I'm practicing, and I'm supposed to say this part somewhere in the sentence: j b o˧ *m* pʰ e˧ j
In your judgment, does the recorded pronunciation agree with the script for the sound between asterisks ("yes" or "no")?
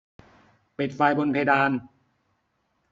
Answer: no